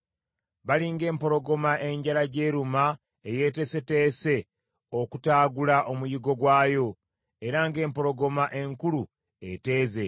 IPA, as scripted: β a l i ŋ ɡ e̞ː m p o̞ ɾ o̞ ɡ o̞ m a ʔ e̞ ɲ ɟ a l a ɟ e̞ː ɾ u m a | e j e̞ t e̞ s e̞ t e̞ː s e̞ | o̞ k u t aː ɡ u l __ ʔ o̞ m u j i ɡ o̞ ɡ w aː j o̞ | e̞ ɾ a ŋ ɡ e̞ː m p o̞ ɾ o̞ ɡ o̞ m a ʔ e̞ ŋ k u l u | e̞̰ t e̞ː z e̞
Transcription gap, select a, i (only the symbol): a